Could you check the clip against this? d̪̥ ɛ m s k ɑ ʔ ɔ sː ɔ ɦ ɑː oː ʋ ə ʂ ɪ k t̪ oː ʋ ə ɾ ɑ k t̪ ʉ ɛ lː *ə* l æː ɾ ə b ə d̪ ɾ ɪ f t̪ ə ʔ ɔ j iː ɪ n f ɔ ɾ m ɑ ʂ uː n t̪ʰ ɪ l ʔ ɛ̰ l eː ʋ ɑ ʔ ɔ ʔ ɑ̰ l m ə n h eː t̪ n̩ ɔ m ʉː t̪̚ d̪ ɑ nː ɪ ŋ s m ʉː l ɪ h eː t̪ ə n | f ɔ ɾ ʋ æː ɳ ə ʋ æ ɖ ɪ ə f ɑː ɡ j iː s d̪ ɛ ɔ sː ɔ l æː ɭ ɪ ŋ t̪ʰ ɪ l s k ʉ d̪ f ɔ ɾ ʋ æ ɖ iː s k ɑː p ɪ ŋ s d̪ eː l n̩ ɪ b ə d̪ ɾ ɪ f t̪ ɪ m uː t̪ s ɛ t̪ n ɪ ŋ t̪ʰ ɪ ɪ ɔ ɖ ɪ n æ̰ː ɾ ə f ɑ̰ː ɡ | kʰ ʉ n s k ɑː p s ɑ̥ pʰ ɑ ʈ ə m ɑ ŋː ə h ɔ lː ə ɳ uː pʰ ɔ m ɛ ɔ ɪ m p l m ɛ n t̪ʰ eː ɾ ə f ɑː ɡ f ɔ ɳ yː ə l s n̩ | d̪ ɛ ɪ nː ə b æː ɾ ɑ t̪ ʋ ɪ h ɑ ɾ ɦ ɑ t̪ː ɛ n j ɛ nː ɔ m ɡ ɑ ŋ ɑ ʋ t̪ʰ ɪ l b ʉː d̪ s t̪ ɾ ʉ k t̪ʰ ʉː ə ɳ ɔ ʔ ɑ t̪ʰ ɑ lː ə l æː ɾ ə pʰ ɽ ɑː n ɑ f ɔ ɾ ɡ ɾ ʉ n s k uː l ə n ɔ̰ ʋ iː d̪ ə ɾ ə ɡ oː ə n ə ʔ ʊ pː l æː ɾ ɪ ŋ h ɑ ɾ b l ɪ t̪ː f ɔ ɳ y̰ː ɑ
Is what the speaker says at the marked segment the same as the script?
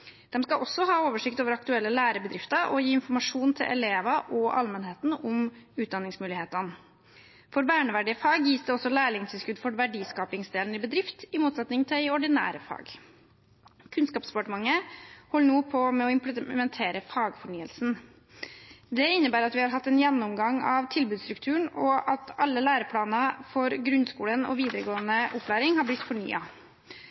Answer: yes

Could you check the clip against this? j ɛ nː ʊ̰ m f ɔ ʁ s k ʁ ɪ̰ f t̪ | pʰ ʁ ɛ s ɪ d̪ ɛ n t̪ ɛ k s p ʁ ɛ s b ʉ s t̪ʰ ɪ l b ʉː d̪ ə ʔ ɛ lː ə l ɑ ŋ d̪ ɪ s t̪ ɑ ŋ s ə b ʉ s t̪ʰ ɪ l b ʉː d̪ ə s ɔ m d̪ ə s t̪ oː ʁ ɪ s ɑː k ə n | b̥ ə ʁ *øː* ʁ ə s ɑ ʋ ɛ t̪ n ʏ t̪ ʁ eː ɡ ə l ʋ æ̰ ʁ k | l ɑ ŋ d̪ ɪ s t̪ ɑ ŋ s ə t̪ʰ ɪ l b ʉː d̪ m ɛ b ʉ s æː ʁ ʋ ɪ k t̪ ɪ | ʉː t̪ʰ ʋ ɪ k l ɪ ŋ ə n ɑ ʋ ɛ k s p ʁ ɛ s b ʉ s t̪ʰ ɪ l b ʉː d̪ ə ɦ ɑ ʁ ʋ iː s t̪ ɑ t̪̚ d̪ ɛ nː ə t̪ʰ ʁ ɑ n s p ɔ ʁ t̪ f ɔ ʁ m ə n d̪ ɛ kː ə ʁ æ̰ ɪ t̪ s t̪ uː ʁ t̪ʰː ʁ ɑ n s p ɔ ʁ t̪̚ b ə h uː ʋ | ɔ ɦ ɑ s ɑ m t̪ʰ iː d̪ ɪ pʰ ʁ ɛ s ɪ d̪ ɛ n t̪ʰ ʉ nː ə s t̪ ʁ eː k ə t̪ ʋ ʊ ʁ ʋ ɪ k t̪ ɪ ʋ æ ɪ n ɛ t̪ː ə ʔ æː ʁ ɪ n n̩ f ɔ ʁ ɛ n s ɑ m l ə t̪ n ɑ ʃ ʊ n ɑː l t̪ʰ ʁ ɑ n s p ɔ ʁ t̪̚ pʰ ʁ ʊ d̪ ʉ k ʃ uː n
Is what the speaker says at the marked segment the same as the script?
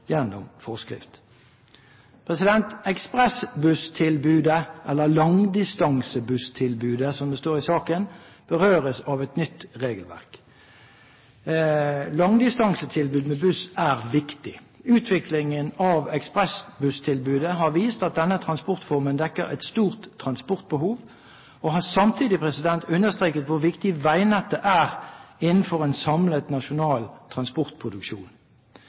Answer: yes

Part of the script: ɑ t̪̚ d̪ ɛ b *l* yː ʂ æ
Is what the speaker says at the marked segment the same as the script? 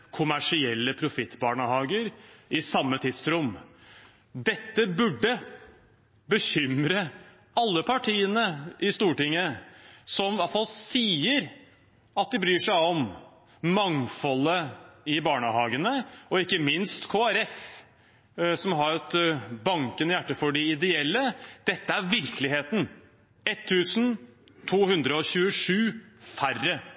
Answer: no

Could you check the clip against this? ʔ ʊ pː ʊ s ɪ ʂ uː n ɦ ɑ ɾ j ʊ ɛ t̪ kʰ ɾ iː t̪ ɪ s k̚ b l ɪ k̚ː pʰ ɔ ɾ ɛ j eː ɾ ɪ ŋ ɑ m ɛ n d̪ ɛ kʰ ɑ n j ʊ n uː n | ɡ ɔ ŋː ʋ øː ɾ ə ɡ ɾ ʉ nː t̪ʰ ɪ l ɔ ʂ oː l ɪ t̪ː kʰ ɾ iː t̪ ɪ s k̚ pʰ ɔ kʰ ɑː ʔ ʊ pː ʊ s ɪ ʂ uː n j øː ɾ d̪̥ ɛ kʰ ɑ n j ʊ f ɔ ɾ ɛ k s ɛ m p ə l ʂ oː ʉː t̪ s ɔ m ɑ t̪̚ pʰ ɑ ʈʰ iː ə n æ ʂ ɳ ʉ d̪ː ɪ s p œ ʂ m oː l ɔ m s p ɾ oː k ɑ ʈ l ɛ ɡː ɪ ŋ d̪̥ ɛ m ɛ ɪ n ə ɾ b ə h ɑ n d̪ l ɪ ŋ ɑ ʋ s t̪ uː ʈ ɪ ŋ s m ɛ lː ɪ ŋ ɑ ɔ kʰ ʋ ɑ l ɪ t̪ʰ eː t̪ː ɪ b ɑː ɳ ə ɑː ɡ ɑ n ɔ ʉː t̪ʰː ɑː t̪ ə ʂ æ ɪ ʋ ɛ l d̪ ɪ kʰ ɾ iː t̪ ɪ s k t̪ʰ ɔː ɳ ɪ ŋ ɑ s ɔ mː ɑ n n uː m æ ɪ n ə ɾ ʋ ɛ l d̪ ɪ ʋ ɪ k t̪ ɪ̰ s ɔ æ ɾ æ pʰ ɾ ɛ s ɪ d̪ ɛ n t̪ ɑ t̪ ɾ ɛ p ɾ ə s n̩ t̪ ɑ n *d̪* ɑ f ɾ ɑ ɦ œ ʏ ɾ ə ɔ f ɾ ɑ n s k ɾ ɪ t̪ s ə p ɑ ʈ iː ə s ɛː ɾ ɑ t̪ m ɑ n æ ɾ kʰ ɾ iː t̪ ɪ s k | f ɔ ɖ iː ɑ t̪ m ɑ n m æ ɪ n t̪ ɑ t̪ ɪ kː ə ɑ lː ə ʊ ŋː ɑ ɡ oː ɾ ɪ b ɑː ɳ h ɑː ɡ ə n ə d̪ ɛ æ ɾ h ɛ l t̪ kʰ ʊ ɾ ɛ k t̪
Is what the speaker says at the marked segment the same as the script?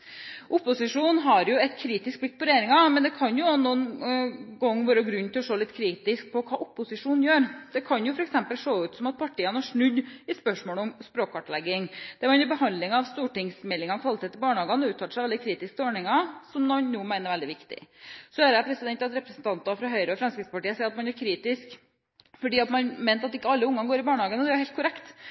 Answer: no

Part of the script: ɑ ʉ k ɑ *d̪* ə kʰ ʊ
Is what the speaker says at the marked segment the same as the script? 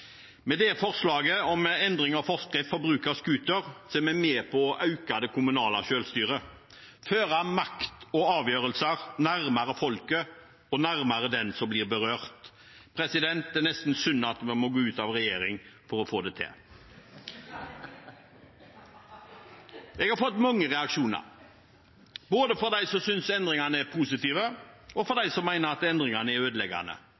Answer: yes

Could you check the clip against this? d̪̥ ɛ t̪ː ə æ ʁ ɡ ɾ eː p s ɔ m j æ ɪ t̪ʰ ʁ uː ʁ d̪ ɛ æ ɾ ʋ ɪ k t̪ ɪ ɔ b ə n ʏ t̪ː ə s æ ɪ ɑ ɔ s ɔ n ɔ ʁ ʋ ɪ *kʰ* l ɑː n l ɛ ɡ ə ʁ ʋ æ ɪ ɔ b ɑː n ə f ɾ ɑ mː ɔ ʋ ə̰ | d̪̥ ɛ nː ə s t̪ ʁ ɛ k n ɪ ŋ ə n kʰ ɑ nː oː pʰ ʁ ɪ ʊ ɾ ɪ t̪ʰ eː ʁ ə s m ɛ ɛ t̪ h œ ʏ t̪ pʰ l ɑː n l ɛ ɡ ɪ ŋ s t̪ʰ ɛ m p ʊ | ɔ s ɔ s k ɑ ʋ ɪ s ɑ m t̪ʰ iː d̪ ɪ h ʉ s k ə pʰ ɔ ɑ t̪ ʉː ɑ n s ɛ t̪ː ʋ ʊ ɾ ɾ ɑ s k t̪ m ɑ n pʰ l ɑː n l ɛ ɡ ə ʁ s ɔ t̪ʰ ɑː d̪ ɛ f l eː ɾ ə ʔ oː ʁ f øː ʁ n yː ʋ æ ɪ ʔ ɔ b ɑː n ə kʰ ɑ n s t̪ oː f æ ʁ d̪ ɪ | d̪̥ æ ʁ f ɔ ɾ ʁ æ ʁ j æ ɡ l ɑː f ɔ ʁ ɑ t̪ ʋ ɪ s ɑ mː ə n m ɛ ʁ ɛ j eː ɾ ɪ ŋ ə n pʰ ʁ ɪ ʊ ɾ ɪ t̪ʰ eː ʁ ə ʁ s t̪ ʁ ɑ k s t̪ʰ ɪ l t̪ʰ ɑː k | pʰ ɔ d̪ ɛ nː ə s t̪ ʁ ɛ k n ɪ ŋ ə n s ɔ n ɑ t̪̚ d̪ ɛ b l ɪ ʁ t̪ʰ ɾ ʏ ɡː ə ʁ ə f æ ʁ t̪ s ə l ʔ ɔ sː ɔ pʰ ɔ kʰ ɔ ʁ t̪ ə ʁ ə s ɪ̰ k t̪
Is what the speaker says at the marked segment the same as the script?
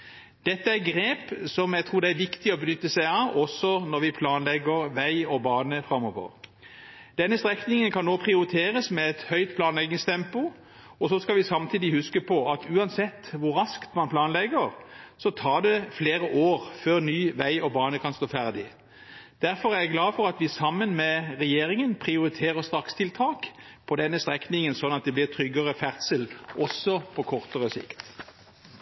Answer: no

